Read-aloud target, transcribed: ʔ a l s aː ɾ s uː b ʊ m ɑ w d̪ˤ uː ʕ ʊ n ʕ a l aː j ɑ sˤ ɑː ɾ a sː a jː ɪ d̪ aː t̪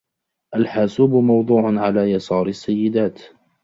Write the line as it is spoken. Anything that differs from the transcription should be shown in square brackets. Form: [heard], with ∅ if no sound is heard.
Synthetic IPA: ʔ a l [ħ] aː [∅] s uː b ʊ m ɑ w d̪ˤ uː ʕ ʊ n ʕ a l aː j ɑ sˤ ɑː ɾ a sː a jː ɪ d̪ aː t̪